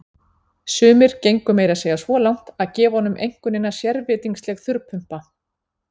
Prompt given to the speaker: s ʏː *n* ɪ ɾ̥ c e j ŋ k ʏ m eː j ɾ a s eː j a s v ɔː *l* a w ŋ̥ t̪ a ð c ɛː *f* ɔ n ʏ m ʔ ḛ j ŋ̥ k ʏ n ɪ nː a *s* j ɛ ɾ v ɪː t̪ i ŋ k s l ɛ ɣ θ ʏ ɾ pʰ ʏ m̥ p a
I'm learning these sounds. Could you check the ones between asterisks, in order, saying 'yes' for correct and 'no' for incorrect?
no, yes, no, yes

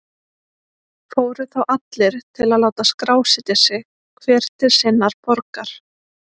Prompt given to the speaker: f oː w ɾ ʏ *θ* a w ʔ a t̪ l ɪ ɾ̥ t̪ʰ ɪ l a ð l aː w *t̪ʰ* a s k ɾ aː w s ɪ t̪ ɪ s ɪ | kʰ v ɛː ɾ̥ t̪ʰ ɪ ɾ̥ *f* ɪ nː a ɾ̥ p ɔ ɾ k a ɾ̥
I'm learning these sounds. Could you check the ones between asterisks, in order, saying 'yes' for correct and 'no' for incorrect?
yes, no, no

